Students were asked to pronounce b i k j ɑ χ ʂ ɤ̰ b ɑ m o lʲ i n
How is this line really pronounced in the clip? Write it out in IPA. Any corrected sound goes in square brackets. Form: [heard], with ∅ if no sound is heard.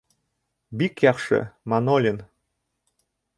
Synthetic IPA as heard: b i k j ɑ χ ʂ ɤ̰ [m] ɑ [n] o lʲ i n